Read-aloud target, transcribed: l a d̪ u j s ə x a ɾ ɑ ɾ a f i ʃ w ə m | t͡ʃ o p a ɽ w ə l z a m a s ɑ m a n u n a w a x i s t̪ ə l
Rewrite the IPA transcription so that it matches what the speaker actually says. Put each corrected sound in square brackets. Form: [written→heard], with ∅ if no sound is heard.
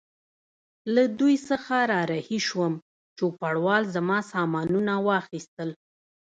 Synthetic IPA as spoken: l a d̪ u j s ə x a ɾ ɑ ɾ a [f→h] i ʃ w ə m | t͡ʃ o p a ɽ w [ə→ɑ] l z a m [a→ɑ] s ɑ m [a→ɑ] n u n a w [a→ɑ] x i s t̪ ə l